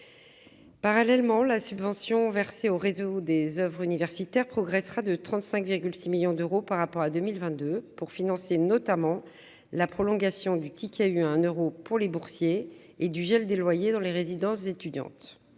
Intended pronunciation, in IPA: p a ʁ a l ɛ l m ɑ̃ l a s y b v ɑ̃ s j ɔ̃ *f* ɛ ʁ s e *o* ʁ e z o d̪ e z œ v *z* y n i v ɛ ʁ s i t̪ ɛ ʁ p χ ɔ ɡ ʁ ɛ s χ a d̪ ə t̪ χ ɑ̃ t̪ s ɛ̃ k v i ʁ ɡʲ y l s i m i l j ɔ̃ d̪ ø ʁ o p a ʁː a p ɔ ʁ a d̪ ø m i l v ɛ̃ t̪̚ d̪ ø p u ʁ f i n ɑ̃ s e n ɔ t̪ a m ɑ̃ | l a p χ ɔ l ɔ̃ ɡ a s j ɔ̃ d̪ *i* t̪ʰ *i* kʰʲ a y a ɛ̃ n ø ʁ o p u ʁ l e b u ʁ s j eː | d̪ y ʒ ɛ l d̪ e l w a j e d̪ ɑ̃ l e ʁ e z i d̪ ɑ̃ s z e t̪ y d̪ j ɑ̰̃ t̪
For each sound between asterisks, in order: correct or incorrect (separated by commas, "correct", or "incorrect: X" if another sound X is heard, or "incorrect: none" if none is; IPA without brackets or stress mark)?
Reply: incorrect: v, correct, incorrect: ʁ, incorrect: y, correct